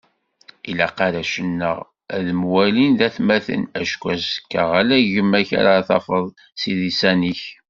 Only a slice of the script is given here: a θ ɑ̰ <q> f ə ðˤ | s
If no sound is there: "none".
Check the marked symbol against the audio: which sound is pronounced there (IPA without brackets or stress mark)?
none